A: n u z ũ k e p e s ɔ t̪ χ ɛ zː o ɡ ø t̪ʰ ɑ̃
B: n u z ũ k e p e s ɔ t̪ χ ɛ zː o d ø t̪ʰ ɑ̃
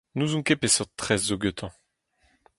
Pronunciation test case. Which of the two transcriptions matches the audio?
A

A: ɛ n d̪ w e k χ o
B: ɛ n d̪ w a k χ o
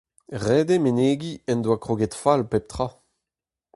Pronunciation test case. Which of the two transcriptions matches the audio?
B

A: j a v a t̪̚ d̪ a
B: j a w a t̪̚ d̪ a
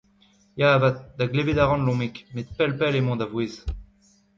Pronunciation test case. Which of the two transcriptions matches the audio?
A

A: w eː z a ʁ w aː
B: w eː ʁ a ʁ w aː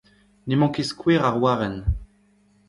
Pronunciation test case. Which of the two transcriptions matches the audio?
B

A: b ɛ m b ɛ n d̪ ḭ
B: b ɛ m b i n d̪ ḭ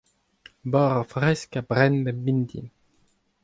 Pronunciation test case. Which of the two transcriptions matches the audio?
B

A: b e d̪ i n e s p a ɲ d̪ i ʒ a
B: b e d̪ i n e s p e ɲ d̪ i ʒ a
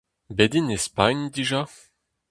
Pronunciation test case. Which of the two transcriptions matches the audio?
A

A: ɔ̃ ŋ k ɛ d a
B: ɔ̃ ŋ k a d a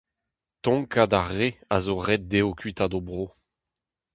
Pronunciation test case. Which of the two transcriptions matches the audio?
B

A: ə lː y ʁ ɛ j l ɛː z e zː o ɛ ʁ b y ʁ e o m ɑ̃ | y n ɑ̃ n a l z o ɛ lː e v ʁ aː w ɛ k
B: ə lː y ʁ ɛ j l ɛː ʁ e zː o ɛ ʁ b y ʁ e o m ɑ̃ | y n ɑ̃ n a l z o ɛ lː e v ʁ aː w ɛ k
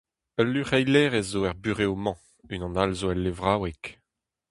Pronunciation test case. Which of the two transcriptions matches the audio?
B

